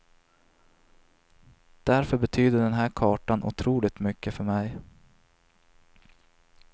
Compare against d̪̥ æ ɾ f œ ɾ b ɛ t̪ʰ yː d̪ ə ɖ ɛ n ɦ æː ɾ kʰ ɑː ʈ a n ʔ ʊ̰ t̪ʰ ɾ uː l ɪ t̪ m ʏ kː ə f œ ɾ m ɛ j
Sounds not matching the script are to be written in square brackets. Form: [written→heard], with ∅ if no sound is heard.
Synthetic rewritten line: d̪̥ æ ɾ f œ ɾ b ɛ t̪ʰ yː d̪ ə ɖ ɛ n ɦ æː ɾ kʰ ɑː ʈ a n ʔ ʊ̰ t̪ʰ ɾ uː l ɪ t̪ m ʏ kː ə f œ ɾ m ɛ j

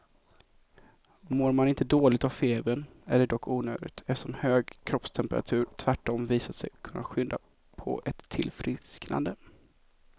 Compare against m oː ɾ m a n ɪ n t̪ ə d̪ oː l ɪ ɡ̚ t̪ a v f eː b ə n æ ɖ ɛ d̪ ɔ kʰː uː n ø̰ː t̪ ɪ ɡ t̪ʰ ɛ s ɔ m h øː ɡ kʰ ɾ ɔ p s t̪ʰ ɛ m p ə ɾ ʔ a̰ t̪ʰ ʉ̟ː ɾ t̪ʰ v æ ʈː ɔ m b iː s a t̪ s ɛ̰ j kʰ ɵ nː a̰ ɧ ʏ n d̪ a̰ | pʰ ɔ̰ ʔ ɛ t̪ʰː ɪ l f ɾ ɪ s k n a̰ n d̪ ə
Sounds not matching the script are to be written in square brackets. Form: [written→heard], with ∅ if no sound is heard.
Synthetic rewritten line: m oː ɾ m a n ɪ n t̪ ə d̪ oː l ɪ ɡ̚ t̪ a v f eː b ə n æ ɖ ɛ d̪ ɔ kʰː uː n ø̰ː [t̪→d̪] ɪ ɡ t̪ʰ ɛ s ɔ m h øː ɡ kʰ ɾ ɔ p s t̪ʰ ɛ m p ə ɾ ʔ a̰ t̪ʰ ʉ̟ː ɾ t̪ʰ v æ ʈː ɔ m [b→v] iː s a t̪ s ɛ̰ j kʰ ɵ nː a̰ ɧ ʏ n d̪ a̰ | pʰ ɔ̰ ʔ ɛ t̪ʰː ɪ l f ɾ ɪ s k n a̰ n d̪ ə

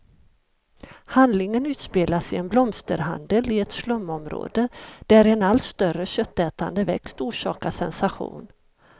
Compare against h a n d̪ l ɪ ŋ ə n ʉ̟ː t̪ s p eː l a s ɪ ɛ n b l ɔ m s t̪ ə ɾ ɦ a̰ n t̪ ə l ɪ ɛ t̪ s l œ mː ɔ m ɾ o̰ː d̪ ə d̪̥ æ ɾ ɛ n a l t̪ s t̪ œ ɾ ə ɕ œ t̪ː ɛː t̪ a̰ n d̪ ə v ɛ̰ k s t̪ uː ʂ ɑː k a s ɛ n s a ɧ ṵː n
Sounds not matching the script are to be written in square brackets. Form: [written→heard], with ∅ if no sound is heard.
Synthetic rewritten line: h a n d̪ l ɪ ŋ ə n ʉ̟ː t̪ s p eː l a s ɪ ɛ n b l ɔ m s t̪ ə ɾ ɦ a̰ n [t̪→d̪] ə l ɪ ɛ t̪ s l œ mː ɔ m ɾ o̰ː d̪ ə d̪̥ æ ɾ ɛ n a l t̪ s t̪ œ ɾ ə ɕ œ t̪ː ɛː t̪ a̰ n d̪ ə v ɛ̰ k s t̪ uː ʂ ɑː k a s ɛ n s a ɧ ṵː n

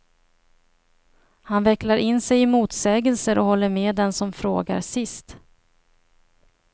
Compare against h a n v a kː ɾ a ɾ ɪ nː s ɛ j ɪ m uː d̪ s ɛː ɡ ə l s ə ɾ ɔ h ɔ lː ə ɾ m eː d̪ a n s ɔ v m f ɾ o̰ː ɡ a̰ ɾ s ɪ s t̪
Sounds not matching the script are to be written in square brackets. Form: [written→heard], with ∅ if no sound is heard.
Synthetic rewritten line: h a n v [a→ɛ] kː [ɾ→l] a ɾ ɪ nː s ɛ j ɪ m uː [d̪→t̪] s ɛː ɡ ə l s ə ɾ ɔ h ɔ lː ə ɾ m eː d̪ [a→ɛ] n s ɔ [v→∅] m f ɾ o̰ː ɡ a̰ ɾ s ɪ s t̪

